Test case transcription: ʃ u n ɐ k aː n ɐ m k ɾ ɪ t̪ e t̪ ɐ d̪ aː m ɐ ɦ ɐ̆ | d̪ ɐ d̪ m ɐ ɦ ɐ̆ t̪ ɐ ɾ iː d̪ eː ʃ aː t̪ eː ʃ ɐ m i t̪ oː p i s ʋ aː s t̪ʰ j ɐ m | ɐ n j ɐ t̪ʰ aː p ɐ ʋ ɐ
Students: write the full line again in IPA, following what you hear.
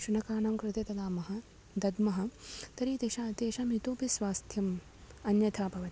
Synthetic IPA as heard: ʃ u n ɐ k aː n ɐ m k ɾ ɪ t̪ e t̪ ɐ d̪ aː m ɐ ɦ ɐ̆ | d̪ ɐ d̪ m ɐ ɦ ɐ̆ t̪ ɐ ɾ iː t̪ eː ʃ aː t̪ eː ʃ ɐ m i t̪ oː p i s ʋ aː s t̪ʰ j ɐ m | ɐ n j ɐ t̪ʰ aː p ɐ ʋ ɐ

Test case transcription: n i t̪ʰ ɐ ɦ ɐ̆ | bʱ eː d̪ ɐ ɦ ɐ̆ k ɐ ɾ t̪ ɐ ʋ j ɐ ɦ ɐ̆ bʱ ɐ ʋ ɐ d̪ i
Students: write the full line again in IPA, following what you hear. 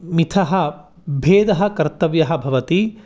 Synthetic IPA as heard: m i t̪ʰ ɐ ɦ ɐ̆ | bʱ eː d̪ ɐ ɦ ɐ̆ k ɐ ɾ t̪ ɐ ʋ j ɐ ɦ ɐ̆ bʱ ɐ ʋ ɐ t̪ i

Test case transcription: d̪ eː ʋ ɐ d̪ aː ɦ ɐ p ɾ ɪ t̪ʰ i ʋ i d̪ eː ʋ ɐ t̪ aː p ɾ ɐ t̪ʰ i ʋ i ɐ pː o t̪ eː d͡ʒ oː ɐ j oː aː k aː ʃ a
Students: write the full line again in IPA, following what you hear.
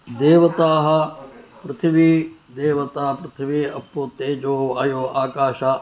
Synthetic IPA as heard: d̪ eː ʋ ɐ t̪ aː ɦ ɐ p ɾ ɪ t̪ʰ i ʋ i d̪ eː ʋ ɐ t̪ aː p ɾ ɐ t̪ʰ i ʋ i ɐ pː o t̪ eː d͡ʒ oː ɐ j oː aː k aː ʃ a

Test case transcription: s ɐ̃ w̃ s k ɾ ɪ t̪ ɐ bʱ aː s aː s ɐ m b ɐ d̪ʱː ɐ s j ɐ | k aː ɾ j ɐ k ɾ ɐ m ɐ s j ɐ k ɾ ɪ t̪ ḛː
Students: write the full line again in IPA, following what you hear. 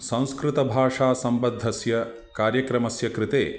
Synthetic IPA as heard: s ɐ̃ w̃ s k ɾ ɪ t̪ ɐ bʱ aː ʂ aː s ɐ m b ɐ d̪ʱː ɐ s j ɐ | k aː ɾ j ɐ k ɾ ɐ m ɐ s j ɐ k ɾ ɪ t̪ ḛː

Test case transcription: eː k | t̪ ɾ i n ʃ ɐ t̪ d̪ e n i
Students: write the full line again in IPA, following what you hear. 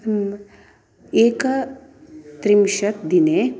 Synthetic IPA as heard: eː k | t̪ ɾ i m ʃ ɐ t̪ d̪ i n e

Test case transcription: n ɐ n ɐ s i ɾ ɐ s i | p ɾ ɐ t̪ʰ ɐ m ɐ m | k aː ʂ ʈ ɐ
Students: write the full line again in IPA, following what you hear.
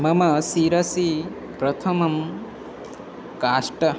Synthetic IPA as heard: m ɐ m ɐ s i ɾ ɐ s i | p ɾ ɐ t̪ʰ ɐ m ɐ m | k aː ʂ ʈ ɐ

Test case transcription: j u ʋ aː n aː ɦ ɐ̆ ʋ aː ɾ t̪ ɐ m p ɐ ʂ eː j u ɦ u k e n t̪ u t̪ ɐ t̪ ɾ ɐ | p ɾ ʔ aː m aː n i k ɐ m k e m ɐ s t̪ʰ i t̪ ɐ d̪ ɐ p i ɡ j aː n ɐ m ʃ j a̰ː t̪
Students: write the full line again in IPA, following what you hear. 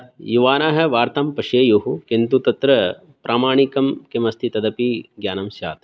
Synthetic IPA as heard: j u ʋ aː n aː ɦ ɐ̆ ʋ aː ɾ t̪ ɐ m p ɐ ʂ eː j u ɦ u k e n t̪ u t̪ ɐ t̪ ɾ ɐ | p ɾ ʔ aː m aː ɳ i k ɐ m k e m ɐ s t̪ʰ i t̪ ɐ d̪ ɐ p i ɡ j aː n ɐ m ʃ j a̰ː t̪

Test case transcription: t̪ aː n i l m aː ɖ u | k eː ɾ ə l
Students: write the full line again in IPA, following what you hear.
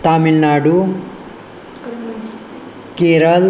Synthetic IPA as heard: t̪ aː m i l n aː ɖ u | k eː ɾ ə l

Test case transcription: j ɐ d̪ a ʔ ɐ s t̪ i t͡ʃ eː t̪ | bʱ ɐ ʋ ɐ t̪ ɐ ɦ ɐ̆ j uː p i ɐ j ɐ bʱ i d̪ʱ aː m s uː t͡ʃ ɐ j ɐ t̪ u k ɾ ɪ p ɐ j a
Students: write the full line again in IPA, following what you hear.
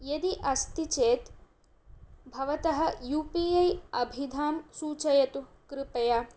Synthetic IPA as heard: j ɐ d̪ i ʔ ɐ s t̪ i t͡ʃ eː t̪ | bʱ ɐ ʋ ɐ t̪ ɐ ɦ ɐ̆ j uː p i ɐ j ɐ bʱ i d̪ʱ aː m s uː t͡ʃ ɐ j ɐ t̪ u k ɾ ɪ p ɐ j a

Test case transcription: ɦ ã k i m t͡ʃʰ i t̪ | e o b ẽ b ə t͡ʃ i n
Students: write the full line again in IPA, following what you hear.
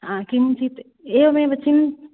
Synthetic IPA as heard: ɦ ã k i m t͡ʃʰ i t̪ | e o m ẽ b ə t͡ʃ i n

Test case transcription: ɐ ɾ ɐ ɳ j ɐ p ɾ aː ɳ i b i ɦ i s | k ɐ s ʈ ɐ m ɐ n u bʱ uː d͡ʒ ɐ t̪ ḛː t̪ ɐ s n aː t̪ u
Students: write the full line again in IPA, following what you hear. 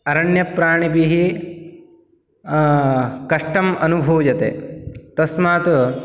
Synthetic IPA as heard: ɐ ɾ ɐ ɳ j ɐ p ɾ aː ɳ i b i ɦ i | k ɐ ʂ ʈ ɐ m ɐ n u bʱ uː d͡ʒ ɐ t̪ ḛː t̪ ɐ s m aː t̪ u

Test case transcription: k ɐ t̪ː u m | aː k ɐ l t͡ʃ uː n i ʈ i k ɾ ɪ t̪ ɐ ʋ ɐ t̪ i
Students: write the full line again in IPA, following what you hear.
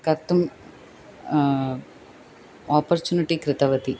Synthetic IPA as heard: k ɐ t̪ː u m | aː p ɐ ɾ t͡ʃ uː n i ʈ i k ɾ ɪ t̪ ɐ ʋ ɐ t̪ i

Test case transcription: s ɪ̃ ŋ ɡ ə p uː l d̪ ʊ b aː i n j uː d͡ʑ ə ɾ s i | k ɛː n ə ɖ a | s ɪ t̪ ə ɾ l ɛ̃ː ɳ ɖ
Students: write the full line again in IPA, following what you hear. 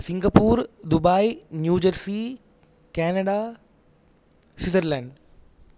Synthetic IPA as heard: s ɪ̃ ŋ ɡ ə p uː ɾ d̪ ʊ b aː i n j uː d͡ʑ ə ɾ s i | k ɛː n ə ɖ a | s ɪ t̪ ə ɾ l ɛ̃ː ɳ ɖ

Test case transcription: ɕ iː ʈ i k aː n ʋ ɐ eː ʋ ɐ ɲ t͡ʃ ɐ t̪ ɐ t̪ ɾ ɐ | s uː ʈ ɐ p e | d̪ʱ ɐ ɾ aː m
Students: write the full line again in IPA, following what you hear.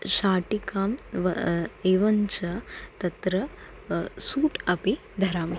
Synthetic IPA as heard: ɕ aː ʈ i k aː m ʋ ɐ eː ʋ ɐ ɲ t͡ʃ ɐ t̪ ɐ t̪ ɾ ɐ | s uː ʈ ɐ p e | d̪ʱ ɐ ɾ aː m

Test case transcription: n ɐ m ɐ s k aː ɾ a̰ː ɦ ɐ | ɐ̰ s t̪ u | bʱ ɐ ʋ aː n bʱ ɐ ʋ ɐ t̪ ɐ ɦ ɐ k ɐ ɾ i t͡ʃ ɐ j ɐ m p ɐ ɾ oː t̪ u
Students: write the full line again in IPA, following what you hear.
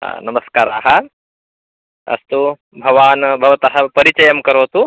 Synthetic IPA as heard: n ɐ m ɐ s k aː ɾ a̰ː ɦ ɐ | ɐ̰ s t̪ u | bʱ ɐ ʋ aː n bʱ ɐ ʋ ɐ t̪ ɐ ɦ ɐ p ɐ ɾ i t͡ʃ ɐ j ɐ m k ɐ ɾ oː t̪ u

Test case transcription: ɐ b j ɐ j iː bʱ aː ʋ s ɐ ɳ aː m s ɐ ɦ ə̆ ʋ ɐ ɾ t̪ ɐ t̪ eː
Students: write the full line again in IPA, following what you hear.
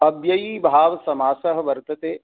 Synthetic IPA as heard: ɐ b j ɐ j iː bʱ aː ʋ s ɐ m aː s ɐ ɦ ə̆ ʋ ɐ ɾ t̪ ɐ t̪ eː

